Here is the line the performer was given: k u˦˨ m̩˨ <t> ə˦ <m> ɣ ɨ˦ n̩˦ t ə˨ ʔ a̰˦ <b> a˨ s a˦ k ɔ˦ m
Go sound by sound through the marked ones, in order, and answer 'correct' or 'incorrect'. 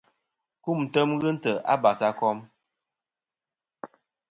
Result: correct, correct, correct

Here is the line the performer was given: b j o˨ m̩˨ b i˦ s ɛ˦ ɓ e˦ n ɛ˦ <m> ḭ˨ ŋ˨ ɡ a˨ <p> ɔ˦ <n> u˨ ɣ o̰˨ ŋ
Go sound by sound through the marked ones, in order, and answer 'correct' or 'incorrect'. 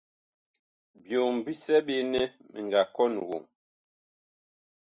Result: correct, incorrect: k, correct

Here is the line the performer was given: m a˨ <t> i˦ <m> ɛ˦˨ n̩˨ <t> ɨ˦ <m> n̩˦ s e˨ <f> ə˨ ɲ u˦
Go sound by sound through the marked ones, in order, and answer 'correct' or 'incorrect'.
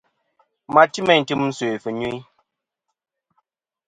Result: correct, correct, correct, correct, correct

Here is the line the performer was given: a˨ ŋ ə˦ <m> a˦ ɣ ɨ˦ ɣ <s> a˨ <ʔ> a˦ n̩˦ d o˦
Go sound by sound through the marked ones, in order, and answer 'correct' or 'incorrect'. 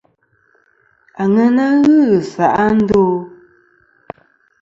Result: incorrect: n, correct, correct

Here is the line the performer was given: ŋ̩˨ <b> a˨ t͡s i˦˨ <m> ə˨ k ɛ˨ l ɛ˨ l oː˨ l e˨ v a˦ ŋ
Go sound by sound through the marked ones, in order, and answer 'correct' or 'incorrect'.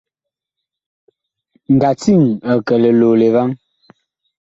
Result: incorrect: ɡ, incorrect: ŋ

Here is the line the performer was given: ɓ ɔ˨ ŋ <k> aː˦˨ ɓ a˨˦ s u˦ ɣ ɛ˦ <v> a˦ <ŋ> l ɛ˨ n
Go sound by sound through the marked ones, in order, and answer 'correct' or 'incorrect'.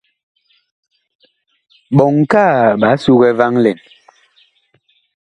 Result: correct, correct, correct

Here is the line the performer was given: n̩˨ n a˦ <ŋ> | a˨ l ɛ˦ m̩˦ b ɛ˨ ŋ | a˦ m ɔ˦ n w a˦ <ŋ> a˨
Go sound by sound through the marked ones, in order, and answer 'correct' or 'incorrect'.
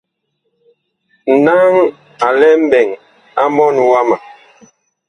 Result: correct, incorrect: m

